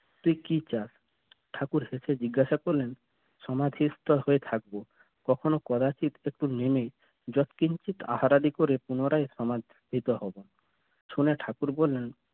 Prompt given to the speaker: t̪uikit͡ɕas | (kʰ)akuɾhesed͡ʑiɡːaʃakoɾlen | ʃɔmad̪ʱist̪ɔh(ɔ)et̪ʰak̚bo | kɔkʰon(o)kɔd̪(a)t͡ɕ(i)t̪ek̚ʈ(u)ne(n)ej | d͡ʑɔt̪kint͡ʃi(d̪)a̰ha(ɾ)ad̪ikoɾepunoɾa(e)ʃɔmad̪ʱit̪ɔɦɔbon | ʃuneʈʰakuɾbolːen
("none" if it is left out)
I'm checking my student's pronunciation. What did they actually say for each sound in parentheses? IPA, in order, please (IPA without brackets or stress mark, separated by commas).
ʈʰ, o, o, a, i, u, m, t̪, ɾ, e